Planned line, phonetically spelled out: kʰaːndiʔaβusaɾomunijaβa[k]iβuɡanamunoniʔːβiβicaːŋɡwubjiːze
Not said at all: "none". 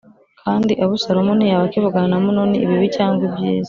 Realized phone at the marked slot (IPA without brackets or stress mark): k